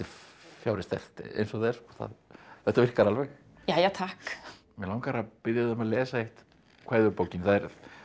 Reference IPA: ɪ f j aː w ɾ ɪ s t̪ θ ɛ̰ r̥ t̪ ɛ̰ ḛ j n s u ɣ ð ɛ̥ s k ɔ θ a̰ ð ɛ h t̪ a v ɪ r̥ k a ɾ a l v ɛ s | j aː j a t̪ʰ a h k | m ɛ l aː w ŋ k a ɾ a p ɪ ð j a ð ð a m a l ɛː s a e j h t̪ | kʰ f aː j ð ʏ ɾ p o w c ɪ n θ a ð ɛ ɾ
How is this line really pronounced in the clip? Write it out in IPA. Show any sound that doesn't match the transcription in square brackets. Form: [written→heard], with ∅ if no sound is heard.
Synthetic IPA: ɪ f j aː w ɾ ɪ s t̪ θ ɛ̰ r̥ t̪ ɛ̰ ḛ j n s [u→ɔ] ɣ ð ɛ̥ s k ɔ θ a̰ ð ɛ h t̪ a v ɪ r̥ k a ɾ a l v ɛ [s→x] | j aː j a t̪ʰ a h k | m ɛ l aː w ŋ k a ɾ a p ɪ ð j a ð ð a m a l ɛː s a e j h t̪ | kʰ [f→v] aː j ð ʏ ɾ p o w c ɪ n θ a ð ɛ ɾ